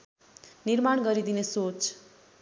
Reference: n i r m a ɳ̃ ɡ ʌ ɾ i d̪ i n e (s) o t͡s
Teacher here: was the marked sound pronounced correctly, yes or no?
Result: yes